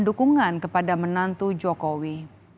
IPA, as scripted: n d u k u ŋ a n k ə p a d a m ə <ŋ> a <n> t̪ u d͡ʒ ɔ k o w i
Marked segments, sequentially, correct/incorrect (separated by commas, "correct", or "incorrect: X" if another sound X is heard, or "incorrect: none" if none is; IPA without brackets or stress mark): incorrect: n, correct